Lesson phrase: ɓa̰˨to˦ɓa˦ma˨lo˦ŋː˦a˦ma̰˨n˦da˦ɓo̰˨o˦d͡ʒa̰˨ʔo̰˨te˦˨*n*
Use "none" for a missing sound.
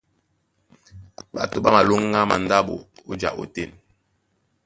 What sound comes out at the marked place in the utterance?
n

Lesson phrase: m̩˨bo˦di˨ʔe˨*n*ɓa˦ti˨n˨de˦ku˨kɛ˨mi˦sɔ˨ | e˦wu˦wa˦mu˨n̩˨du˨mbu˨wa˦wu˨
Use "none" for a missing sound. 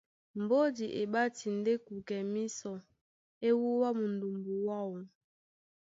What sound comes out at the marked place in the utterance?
none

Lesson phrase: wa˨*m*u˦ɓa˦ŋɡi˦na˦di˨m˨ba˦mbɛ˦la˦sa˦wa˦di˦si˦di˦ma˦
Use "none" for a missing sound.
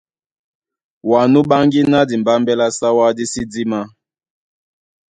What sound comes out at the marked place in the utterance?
n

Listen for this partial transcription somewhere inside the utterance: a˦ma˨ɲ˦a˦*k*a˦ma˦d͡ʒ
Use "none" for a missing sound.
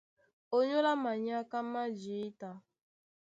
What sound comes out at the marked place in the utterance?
k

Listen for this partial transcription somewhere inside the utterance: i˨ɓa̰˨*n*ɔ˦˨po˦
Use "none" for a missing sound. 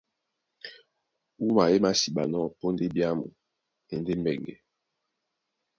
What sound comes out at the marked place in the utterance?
n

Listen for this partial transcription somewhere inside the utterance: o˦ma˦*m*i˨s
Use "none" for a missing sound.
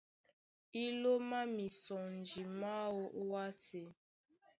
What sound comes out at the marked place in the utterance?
m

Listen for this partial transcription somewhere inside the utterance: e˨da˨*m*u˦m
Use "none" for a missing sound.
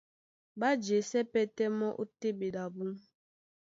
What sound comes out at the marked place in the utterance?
b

